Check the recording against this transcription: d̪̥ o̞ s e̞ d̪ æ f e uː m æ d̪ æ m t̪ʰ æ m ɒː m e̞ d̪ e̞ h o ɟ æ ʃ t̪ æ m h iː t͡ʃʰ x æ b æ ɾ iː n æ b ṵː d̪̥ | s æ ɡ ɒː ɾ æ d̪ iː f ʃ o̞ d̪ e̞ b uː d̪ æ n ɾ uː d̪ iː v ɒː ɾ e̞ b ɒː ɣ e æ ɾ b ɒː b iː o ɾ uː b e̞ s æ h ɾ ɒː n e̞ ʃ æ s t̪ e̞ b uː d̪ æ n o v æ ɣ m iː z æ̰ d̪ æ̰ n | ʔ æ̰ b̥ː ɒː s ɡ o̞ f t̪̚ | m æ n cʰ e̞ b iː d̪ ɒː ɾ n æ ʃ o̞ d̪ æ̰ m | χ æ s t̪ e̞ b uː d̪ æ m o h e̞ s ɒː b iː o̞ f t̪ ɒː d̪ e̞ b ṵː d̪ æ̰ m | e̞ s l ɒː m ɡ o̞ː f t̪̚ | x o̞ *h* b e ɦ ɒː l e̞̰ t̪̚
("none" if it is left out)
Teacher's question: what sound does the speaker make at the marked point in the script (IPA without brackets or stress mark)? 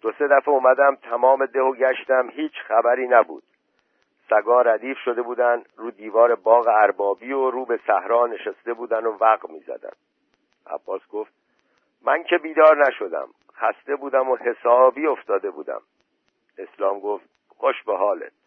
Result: ʃ